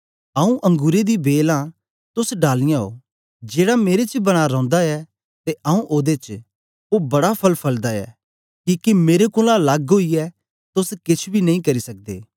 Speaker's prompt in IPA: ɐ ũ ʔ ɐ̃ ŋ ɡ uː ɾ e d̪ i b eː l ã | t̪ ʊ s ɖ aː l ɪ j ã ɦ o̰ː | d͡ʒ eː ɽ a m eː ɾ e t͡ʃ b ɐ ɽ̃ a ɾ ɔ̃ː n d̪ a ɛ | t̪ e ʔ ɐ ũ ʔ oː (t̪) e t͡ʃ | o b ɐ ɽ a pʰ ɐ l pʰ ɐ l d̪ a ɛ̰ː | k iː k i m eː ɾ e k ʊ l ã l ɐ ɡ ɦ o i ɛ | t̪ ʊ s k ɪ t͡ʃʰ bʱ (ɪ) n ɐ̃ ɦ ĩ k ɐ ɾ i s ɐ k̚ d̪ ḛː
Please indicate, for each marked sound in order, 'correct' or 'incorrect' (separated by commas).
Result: incorrect, incorrect